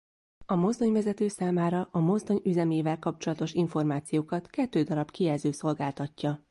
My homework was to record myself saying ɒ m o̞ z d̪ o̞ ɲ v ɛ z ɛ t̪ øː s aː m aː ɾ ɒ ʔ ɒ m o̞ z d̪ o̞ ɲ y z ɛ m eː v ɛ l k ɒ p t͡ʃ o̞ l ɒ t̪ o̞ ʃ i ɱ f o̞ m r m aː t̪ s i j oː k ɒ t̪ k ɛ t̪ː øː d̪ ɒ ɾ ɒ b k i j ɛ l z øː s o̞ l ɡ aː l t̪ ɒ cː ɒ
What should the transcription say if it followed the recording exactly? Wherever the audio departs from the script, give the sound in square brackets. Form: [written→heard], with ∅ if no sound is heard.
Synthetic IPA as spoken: ɒ m o̞ z d̪ o̞ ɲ v ɛ z ɛ t̪ øː s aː m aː ɾ ɒ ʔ ɒ m o̞ z d̪ o̞ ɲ y z ɛ m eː v ɛ l k ɒ p t͡ʃ o̞ l ɒ t̪ o̞ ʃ i ɱ f o̞ [m→∅] r m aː t̪ s i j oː k ɒ t̪ k ɛ t̪ː øː d̪ ɒ ɾ ɒ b k i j ɛ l z øː s o̞ l ɡ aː l t̪ ɒ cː ɒ